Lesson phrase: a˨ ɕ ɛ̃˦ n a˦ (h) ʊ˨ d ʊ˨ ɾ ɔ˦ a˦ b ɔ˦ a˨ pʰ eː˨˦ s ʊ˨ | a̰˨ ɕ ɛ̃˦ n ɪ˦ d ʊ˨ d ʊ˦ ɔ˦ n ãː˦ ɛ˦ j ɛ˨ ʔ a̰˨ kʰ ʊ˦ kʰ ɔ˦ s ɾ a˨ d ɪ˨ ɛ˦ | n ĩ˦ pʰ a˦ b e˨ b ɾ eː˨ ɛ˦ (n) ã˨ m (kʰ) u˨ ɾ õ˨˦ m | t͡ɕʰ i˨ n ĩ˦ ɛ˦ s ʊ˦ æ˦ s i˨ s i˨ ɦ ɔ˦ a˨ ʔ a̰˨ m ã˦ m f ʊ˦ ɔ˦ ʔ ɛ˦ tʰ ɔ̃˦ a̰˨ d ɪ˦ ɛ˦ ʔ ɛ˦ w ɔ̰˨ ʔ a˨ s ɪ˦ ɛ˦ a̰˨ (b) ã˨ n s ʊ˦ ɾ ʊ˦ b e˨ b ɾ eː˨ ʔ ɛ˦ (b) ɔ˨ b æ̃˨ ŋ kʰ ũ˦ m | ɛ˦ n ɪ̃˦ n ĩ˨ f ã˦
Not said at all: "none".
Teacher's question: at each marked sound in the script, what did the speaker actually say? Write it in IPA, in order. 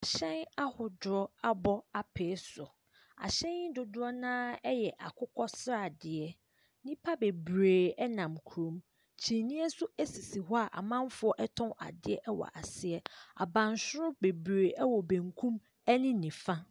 h, n, kʰ, b, w

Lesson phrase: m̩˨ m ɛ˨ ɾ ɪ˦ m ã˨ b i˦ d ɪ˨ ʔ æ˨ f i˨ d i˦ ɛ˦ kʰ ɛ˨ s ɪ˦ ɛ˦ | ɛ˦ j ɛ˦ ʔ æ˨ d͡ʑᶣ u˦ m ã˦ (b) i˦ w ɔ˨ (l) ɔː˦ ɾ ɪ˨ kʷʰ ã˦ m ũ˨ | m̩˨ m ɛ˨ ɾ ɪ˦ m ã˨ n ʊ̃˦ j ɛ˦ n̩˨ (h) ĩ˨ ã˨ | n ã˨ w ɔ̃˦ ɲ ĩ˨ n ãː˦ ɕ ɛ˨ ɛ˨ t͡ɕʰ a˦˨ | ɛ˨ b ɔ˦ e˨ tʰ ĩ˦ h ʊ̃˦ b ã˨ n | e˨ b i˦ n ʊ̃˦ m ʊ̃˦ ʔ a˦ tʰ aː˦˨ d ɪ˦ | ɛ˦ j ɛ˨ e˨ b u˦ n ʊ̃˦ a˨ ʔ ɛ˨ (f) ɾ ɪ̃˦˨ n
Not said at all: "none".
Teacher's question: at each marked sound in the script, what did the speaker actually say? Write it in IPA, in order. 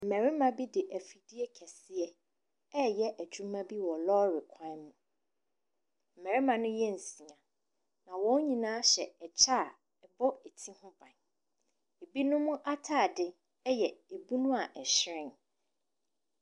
b, l, s, ɕ

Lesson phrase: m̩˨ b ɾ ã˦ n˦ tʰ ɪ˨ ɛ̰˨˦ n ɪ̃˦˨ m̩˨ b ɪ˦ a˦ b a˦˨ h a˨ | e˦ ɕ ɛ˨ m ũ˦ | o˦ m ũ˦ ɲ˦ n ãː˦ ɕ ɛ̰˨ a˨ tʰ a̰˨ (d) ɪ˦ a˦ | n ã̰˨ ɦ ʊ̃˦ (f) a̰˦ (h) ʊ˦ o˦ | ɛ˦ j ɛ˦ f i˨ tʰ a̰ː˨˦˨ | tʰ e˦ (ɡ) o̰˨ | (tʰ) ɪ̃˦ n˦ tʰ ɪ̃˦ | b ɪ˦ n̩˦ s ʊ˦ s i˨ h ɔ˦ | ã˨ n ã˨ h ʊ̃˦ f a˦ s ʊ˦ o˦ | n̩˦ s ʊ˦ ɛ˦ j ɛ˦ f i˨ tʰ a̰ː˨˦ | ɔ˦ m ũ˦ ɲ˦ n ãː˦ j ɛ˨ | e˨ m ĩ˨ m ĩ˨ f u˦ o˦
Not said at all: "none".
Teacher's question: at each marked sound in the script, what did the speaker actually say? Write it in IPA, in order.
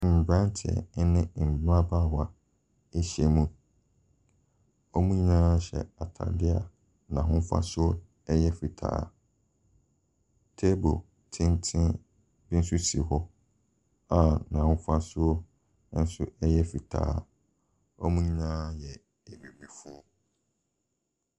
d, f, s, b, tʰ

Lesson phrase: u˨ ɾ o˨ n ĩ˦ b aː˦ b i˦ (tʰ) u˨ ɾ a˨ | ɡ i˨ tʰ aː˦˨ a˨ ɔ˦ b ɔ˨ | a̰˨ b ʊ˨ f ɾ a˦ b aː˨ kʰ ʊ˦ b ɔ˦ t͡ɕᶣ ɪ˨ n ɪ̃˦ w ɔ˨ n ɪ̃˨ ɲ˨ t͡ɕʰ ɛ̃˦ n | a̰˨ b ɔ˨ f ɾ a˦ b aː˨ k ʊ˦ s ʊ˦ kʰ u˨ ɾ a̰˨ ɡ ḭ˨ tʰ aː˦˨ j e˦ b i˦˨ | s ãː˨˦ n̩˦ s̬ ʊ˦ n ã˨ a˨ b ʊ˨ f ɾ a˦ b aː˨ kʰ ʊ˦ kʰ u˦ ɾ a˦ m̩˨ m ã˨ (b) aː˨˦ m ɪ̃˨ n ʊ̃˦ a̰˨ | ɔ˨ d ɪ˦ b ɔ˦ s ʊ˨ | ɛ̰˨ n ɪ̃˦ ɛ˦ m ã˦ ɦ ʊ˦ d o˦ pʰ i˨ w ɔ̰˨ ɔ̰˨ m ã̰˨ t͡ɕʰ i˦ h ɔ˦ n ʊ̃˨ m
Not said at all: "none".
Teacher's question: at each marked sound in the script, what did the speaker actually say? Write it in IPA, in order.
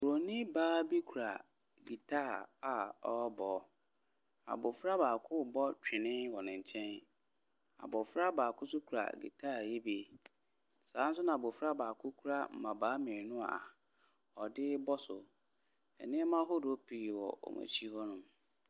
kʰ, b

